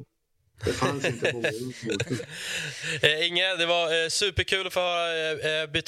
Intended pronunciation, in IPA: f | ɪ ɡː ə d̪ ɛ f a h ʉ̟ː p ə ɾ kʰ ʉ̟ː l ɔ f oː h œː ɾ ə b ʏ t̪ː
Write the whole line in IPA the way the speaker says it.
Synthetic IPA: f | ɪ ŋː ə d̪ ɛ v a s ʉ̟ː p ə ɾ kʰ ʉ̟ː l ɔ f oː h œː ɾ a b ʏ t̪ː